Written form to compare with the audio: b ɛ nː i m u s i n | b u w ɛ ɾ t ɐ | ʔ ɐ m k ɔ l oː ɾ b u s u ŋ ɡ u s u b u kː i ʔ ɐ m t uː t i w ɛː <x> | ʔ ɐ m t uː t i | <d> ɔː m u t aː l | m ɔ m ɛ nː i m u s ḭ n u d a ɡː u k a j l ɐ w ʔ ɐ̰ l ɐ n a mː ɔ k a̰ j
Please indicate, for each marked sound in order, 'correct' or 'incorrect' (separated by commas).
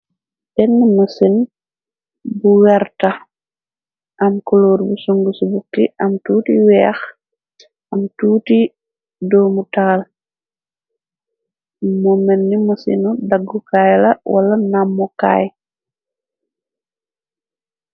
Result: correct, correct